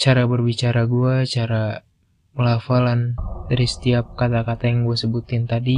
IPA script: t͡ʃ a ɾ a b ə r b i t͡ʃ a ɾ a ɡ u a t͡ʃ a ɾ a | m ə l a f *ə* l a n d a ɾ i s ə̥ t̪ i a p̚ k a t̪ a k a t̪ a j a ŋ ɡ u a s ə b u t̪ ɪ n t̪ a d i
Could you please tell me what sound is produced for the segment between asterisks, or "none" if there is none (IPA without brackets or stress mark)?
a